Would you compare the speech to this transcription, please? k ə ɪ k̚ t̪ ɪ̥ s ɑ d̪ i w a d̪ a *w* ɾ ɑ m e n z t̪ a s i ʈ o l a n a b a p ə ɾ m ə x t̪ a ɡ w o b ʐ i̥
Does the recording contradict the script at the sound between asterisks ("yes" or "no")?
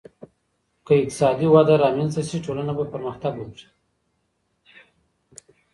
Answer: yes